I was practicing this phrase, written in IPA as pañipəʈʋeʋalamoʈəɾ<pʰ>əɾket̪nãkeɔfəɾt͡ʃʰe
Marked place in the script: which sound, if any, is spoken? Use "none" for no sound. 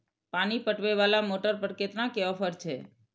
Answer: p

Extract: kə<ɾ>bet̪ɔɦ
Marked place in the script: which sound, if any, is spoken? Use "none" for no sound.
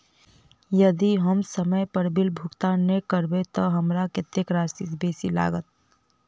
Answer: ɾ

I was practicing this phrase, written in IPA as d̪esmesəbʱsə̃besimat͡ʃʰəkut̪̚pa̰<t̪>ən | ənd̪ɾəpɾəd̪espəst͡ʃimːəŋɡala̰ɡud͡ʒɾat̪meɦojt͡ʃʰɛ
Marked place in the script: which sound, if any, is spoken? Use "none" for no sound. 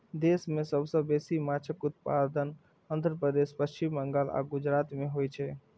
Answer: d̪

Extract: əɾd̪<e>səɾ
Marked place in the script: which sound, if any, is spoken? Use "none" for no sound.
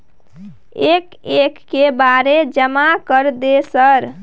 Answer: e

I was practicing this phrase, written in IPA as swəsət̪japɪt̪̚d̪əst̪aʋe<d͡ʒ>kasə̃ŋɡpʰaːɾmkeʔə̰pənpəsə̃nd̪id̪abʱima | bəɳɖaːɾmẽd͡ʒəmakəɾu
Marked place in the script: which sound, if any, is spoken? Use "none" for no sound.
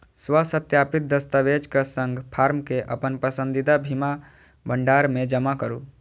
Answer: d͡ʒ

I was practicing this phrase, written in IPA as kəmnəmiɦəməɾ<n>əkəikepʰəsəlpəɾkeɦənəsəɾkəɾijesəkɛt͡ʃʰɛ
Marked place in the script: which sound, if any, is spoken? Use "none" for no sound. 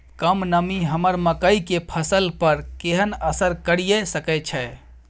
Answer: m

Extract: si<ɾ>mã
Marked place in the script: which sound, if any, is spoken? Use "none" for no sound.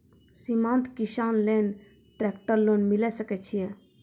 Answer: none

